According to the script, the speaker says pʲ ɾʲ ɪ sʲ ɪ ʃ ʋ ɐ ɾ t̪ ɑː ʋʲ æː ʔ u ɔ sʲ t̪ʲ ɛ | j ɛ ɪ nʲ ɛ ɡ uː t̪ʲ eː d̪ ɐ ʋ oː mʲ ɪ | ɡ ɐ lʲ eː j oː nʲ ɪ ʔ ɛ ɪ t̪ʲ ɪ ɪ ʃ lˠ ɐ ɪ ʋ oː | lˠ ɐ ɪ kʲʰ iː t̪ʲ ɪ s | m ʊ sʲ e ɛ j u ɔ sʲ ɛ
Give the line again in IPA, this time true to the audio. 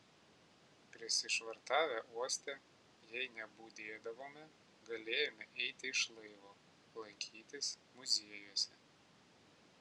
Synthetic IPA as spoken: pʲ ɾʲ ɪ sʲ ɪ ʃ ʋ ɐ ɾ t̪ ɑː ʋʲ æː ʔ u ɔ sʲ t̪ʲ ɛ | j ɛ ɪ nʲ ɛ b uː d̪ʲ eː d̪ ɐ ʋ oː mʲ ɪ | ɡ ɐ lʲ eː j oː mʲ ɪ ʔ ɛ ɪ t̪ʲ ɪ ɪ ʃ lˠ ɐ ɪ ʋ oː | lˠ ɐ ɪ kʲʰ iː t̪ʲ ɪ s | m ʊ zʲ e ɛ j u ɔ sʲ ɛ